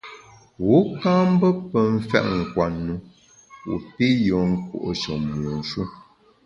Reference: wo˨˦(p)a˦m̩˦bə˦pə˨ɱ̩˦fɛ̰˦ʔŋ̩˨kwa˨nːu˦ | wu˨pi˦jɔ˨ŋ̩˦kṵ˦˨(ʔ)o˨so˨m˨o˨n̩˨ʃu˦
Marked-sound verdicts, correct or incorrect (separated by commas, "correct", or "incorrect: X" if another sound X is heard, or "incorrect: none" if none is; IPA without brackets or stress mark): incorrect: k, correct